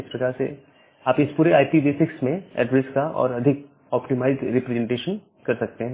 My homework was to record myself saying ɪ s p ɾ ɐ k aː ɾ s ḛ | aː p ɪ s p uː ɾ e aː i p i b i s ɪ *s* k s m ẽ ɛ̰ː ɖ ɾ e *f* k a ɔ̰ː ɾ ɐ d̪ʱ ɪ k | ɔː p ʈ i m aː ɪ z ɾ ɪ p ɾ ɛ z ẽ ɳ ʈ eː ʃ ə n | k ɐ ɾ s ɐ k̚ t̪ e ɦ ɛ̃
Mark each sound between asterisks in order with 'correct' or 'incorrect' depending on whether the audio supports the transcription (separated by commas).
incorrect, incorrect